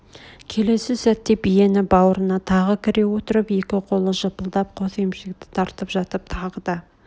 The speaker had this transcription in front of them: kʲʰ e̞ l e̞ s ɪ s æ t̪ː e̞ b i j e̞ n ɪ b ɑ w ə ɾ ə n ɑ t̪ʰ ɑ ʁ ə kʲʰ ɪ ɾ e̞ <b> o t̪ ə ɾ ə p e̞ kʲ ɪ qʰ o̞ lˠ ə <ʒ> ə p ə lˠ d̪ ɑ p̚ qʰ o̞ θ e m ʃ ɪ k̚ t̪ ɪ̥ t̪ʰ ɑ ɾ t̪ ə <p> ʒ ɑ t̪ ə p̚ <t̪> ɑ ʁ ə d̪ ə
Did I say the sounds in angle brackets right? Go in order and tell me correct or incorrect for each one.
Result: incorrect: w, correct, correct, incorrect: t̪ʰ

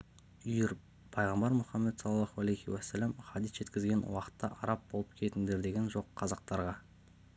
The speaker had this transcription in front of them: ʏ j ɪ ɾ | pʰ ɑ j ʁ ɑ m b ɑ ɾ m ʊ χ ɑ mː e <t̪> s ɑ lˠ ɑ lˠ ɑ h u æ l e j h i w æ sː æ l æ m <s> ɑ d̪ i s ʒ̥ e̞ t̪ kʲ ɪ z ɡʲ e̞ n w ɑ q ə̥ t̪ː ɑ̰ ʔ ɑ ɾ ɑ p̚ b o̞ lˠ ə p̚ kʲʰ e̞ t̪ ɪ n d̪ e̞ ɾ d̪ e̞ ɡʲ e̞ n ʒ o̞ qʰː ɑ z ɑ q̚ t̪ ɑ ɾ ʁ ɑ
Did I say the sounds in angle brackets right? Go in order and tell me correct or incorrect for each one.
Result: correct, incorrect: χ

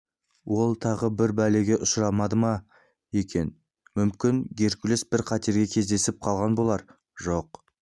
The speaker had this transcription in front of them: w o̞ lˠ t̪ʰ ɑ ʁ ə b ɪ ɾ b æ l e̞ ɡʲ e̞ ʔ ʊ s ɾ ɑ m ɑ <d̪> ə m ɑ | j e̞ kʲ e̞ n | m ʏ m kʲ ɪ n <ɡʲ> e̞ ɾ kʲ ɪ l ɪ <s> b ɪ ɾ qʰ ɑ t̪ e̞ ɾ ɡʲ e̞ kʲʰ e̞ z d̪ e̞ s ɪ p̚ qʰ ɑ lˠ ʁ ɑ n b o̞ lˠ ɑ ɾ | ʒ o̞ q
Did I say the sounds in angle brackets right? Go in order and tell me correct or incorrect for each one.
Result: correct, correct, correct

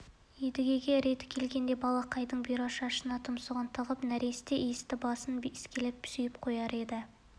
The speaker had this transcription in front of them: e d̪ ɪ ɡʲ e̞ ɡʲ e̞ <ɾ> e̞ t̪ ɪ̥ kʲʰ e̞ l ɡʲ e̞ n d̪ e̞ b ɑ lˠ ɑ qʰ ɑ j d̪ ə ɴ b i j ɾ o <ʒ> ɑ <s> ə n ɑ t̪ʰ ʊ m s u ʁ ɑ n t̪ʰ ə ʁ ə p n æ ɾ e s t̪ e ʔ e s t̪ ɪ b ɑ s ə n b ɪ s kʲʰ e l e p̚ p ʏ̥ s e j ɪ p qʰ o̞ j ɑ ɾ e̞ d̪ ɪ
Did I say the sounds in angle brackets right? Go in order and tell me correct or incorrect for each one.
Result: correct, incorrect: ʃ, incorrect: ʃ

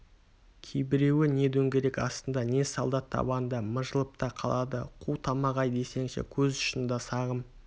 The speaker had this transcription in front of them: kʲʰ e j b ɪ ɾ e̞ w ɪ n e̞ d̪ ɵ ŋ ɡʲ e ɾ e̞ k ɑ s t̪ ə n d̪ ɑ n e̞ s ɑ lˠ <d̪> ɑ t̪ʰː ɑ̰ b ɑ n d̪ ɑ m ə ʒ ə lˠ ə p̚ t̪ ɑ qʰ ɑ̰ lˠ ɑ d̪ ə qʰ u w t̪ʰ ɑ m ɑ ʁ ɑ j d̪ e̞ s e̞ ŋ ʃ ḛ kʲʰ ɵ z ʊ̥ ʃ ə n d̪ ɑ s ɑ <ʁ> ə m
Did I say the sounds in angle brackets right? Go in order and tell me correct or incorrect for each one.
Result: correct, correct

